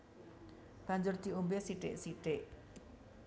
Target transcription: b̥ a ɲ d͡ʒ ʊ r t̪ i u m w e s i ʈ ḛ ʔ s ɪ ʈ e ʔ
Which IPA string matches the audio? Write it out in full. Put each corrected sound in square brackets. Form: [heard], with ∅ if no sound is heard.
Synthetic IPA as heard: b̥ a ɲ d͡ʒ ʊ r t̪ i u m [b] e s i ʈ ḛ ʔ s [i] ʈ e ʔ